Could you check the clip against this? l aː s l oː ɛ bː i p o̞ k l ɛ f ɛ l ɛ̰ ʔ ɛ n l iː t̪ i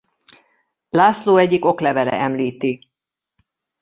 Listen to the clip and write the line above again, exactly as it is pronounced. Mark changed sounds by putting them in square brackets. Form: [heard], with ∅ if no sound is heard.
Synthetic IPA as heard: l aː s l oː ɛ [ɟː] i [k] o̞ k l ɛ [v] ɛ l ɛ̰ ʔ ɛ [m] l iː t̪ i